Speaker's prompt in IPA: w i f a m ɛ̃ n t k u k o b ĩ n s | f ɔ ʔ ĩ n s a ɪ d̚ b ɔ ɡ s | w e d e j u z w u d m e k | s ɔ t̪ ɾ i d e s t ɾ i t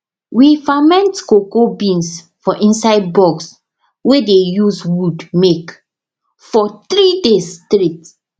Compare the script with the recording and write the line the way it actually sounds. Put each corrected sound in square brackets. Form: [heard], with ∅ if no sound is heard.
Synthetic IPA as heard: w i f a m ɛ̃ n t k [o] k o b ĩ n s | f ɔ ʔ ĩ n s a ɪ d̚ b ɔ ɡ s | w e d e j u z w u d m e k | [f] ɔ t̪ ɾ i d e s t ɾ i t